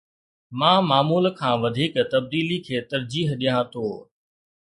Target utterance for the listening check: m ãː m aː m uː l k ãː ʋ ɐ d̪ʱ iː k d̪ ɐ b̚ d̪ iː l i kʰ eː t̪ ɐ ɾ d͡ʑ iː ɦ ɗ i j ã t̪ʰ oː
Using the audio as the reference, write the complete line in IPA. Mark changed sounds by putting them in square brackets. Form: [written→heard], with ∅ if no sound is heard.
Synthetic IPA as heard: m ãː m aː m uː l [k→kʰ] ãː ʋ ɐ d̪ʱ iː k [d̪→t̪] ɐ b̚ d̪ iː l i kʰ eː t̪ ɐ ɾ d͡ʑ iː ɦ ɗ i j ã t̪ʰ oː